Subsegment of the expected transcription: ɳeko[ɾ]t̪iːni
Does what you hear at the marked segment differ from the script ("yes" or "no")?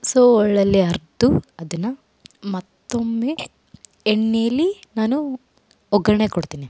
yes